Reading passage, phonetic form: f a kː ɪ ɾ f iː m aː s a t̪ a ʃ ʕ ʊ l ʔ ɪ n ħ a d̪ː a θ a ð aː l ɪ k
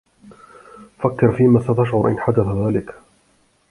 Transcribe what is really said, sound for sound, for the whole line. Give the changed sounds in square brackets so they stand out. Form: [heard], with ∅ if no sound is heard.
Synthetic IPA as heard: f a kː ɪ ɾ f iː m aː s a t̪ a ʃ ʕ ʊ [ɾ] ʔ ɪ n ħ a [d̪] a θ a ð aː l ɪ k